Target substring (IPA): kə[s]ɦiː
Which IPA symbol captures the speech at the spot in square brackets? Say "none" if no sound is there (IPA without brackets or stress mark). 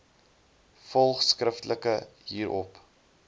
none